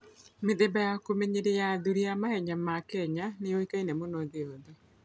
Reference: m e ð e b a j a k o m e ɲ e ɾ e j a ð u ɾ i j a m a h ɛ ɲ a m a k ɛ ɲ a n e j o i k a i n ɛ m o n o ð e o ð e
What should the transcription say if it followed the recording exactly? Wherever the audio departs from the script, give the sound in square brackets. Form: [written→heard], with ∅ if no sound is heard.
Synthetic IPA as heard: m e ð e b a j a k o m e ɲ e ɾ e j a ð u ɾ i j a m a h ɛ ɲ a m a k ɛ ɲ a n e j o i k a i n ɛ m o n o ð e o ð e